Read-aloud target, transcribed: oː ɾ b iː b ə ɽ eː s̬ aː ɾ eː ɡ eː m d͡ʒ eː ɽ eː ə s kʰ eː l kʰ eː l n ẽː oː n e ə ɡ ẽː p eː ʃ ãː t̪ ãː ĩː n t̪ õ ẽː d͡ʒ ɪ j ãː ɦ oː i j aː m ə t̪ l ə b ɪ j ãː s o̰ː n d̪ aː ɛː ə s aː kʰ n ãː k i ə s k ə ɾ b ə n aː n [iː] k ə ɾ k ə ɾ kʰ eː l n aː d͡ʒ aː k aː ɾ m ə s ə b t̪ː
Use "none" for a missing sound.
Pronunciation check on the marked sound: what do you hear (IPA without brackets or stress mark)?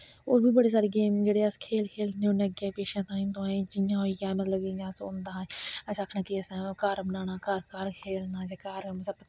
aː